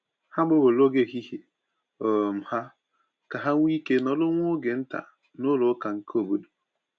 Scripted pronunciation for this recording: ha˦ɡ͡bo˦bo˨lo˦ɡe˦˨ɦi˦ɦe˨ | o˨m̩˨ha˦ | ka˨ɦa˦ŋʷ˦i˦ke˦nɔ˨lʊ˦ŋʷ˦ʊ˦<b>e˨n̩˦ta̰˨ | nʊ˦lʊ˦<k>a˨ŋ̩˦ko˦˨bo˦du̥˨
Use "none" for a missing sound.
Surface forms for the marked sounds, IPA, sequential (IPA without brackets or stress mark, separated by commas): ɡ, k